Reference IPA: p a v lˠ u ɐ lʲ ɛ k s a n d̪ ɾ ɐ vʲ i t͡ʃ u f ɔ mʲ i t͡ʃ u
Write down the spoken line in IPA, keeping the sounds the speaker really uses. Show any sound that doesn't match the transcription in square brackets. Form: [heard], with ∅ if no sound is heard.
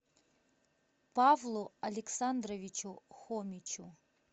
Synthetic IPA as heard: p a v lˠ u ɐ lʲ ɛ k s a n d̪ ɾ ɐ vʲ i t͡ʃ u [x] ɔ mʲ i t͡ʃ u